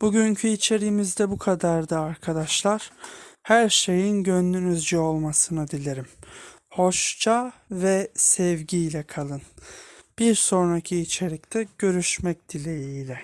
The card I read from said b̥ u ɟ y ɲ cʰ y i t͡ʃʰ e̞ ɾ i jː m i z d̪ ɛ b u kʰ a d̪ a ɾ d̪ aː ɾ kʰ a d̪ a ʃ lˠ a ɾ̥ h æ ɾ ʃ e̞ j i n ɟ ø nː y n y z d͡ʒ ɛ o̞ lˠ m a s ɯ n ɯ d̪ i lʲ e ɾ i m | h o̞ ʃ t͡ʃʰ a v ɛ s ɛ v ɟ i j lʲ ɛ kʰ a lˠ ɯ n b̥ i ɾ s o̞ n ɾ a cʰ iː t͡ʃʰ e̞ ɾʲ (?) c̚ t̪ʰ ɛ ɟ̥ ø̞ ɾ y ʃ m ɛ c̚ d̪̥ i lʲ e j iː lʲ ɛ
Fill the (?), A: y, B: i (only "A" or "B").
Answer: B